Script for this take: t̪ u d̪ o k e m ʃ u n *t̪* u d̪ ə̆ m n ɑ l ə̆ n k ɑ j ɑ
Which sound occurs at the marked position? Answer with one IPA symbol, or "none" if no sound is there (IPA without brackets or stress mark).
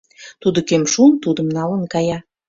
t̪